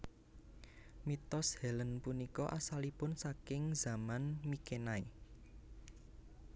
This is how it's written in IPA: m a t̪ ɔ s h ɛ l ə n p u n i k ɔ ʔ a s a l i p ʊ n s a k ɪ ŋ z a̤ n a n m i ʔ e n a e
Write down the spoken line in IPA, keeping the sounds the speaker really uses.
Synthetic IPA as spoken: m i t̪ ɔ s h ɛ l ə n p u n i k ɔ ʔ a s a l i p ʊ n s a k ɪ ŋ z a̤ m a n m i k e n a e